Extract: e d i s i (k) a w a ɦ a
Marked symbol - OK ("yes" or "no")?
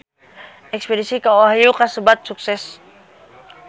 yes